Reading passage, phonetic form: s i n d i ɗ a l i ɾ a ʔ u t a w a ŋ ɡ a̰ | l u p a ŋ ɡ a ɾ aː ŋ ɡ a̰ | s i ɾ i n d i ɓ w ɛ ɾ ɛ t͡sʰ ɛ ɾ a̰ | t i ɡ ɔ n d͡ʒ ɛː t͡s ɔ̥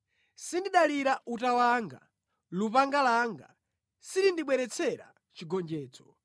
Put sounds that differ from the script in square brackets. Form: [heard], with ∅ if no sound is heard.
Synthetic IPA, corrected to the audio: s i n d i ɗ a l i ɾ a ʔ u t a w a ŋ ɡ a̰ | l u p a ŋ ɡ a [l] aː ŋ ɡ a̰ | s i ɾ i n d i ɓ w ɛ ɾ ɛ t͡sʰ ɛ ɾ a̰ | [t͡ʃ] i ɡ ɔ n d͡ʒ ɛː t͡s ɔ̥

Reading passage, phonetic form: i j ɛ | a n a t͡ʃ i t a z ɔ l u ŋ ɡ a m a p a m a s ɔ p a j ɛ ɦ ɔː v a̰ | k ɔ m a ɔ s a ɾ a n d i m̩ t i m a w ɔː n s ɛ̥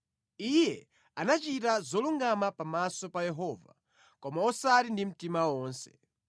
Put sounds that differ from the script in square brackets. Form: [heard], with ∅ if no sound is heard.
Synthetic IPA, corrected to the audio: i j ɛ | a n a t͡ʃ i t a z ɔ l u ŋ ɡ a m a p a m a s ɔ p a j ɛ ɦ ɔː v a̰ | k ɔ m a ɔ s a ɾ [i] n d i m̩ t i m a w ɔː n s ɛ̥

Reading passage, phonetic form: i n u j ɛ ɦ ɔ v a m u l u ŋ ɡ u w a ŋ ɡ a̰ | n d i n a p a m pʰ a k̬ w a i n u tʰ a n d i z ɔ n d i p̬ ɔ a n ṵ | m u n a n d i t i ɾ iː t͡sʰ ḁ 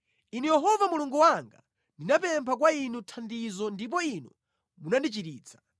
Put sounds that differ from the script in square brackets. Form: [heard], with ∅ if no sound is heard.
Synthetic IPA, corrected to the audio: i n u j ɛ ɦ ɔ v a m u l u ŋ ɡ u w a ŋ ɡ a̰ | n d i n a p [ɛ] m pʰ a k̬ w a i n u tʰ a n d i z ɔ n d i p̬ ɔ [i] n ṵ | m u n a n d i [t͡ʃ] i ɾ iː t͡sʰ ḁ

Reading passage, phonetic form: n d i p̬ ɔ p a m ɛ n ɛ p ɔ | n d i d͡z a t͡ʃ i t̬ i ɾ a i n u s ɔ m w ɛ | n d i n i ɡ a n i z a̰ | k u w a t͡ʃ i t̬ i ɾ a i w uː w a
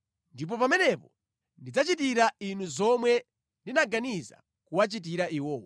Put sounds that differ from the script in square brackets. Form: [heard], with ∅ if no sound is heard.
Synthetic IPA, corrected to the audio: n d i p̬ ɔ p a m ɛ n ɛ p ɔ | n d i d͡z a t͡ʃ i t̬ i ɾ a i n u [z] ɔ m w ɛ | n d i n [a] ɡ a n i z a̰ | k u w a t͡ʃ i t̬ i ɾ a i w [ɔː] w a

